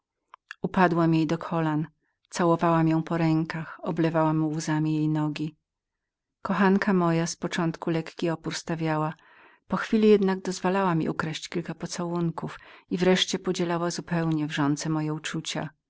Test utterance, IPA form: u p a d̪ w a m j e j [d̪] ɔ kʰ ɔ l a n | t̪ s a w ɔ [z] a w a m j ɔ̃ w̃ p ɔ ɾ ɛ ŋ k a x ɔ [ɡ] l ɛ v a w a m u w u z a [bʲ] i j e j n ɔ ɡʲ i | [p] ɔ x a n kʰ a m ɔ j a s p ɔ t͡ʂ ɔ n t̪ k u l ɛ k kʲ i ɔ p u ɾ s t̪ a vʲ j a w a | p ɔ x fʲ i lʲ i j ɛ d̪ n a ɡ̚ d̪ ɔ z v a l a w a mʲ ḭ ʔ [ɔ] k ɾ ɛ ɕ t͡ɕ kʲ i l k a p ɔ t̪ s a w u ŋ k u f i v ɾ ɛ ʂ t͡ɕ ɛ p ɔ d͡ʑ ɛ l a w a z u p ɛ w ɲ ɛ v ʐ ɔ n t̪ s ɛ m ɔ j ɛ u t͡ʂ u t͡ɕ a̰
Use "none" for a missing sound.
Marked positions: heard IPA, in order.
d̪, v, b, mʲ, k, u

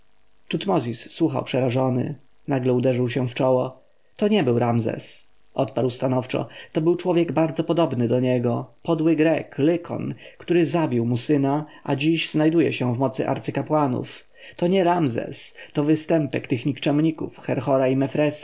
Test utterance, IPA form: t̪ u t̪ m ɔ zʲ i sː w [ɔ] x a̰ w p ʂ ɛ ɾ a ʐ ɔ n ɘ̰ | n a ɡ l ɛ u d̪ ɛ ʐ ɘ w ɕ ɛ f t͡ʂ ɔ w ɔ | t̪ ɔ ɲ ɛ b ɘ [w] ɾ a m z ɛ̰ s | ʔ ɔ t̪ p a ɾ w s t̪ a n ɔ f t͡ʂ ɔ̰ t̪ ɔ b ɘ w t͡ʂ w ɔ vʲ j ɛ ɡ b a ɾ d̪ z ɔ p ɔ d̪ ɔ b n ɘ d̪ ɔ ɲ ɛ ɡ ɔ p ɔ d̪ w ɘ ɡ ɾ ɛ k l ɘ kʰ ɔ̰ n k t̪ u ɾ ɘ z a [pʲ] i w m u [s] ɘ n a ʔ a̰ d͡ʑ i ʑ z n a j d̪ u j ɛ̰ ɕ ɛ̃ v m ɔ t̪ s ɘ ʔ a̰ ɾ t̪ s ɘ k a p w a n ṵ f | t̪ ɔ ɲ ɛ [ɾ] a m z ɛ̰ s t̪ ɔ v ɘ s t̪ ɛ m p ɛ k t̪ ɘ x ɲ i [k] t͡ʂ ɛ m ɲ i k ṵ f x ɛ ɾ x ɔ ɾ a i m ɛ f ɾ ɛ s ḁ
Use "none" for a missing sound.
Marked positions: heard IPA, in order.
u, w, bʲ, s, ɾ, k

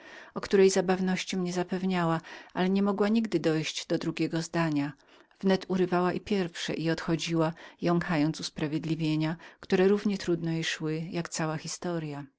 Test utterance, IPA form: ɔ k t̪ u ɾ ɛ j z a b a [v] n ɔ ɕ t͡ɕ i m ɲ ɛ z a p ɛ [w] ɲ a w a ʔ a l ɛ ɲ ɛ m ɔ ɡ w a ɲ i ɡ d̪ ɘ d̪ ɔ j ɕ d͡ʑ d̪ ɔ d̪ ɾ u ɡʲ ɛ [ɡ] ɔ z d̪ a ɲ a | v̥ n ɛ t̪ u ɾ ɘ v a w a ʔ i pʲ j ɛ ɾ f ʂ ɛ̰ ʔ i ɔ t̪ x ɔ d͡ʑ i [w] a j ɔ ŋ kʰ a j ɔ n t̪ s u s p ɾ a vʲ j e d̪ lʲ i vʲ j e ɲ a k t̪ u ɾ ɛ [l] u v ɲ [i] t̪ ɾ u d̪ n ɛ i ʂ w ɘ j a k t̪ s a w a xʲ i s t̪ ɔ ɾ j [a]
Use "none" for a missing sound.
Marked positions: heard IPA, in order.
v, v, ɡ, w, ɾ, ɛ, a

